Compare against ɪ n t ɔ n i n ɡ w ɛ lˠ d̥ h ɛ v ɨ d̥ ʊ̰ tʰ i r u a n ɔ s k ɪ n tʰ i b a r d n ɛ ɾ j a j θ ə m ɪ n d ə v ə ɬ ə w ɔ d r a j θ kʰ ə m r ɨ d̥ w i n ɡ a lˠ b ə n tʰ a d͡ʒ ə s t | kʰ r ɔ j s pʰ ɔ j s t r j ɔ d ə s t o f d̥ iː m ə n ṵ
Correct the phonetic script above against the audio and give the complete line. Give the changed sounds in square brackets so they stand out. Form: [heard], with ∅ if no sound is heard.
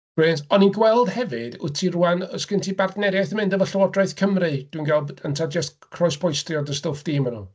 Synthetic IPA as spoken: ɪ n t ɔ n i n ɡ w ɛ lˠ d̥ h ɛ v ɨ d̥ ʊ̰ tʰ i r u a n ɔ s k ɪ n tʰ i b a r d n ɛ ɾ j a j θ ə m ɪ n d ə v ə ɬ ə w ɔ d r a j θ kʰ ə m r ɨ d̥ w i n ɡ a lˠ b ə n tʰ a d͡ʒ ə s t | kʰ r ɔ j s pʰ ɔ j s t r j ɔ d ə s t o f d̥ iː m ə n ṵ

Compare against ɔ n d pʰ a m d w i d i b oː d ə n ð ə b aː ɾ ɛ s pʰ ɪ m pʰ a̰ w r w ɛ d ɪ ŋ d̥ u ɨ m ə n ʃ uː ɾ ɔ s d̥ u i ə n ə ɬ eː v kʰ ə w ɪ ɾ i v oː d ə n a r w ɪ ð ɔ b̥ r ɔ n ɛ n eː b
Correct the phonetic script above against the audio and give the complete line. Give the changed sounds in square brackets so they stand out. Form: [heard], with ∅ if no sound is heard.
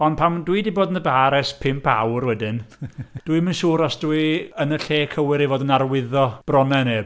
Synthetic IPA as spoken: ɔ n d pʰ a m d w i d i b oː d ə n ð ə b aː ɾ ɛ s pʰ ɪ m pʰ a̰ w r w ɛ d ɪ [n] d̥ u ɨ m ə n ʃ uː ɾ ɔ s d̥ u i ə n ə ɬ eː [∅] kʰ ə w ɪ ɾ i v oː d ə n a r w ɪ ð ɔ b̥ r ɔ n ɛ n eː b

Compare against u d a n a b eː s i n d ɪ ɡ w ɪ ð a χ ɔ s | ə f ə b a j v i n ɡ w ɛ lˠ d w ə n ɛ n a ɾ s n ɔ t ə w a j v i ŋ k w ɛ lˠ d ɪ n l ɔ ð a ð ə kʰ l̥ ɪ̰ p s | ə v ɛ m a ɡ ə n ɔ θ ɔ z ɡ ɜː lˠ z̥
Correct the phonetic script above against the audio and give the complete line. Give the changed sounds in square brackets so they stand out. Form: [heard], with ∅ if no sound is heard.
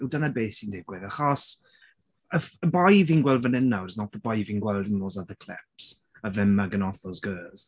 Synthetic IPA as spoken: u d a n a b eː s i n d ɪ ɡ w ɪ ð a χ ɔ s | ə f ə b a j v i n ɡ w ɛ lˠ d [v] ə n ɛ n a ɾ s n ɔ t ə [b] a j v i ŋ [ɡ] w ɛ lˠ d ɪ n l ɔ [z] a ð ə kʰ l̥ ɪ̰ p s | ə v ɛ m a ɡ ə n ɔ θ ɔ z ɡ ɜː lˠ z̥

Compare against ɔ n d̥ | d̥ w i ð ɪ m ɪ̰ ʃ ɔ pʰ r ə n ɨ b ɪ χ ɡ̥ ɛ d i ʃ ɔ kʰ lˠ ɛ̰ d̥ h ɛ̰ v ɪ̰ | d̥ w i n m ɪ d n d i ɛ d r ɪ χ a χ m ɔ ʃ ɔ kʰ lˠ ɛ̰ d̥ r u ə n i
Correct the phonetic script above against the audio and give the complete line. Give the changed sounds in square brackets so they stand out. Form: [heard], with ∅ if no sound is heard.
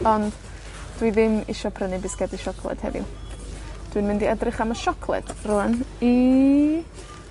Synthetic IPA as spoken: ɔ n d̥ | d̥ w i ð ɪ m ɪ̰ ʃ ɔ pʰ r ə n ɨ b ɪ [s] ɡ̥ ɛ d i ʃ ɔ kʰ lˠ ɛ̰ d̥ h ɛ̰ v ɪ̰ | d̥ w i n m ɪ [∅] n d i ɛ d r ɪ χ a [∅] m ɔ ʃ ɔ kʰ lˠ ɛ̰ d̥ r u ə n i

